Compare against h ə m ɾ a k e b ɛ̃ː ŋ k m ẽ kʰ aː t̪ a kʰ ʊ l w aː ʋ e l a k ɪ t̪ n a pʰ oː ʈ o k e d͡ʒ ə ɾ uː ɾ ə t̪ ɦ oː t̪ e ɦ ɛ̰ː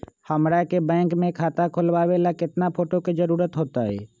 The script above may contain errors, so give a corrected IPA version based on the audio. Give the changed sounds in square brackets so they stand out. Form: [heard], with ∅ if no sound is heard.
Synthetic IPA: h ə m ɾ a k e b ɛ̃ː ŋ k m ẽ kʰ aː t̪ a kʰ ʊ l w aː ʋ e l a k ɪ t̪ n a pʰ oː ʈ o k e d͡ʒ ə ɾ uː ɾ ə t̪ ɦ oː t̪ [a] ɦ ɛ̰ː